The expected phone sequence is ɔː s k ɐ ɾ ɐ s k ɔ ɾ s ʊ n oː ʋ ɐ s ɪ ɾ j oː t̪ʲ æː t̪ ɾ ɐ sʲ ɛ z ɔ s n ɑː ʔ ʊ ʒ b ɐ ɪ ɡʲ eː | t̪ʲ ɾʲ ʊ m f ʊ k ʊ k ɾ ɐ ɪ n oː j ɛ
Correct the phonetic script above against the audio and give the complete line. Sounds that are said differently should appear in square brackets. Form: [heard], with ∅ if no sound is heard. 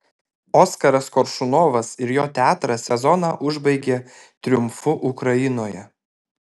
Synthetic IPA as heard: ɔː s k ɐ ɾ ɐ s k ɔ ɾ [ʃ] ʊ n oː ʋ ɐ s ɪ ɾ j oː t̪ʲ æː t̪ ɾ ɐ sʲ ɛ z ɔ [∅] n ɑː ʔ ʊ ʒ b ɐ ɪ ɡʲ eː | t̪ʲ ɾʲ ʊ m f ʊ [ʔ] ʊ k ɾ ɐ ɪ n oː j ɛ